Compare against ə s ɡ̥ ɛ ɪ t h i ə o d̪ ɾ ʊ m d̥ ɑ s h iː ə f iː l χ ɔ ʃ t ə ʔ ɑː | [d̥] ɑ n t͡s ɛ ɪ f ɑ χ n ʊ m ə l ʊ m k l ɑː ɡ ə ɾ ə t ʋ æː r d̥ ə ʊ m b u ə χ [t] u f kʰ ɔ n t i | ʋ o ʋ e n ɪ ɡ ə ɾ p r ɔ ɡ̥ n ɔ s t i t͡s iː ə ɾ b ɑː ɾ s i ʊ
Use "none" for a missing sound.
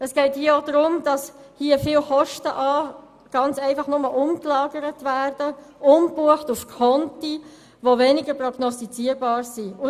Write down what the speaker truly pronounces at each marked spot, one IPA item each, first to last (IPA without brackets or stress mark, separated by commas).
ɡ̥, t